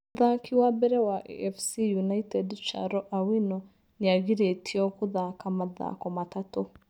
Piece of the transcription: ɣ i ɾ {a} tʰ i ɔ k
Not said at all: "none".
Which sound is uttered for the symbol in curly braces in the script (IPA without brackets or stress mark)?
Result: e